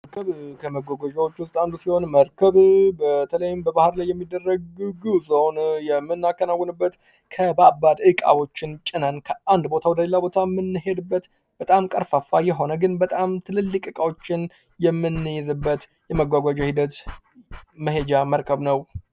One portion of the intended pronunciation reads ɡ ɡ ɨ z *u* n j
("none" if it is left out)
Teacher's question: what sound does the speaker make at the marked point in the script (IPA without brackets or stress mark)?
o